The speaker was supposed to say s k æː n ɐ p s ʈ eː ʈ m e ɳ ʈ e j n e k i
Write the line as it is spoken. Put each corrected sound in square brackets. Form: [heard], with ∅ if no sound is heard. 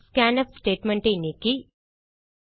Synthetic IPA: s k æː n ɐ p s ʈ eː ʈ m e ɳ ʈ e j n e k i